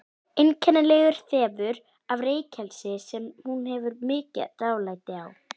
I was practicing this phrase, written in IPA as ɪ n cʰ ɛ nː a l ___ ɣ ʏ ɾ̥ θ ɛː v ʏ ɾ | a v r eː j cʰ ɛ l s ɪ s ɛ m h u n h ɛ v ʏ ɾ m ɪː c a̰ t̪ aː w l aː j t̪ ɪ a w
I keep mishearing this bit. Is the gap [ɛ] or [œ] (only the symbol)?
ɛ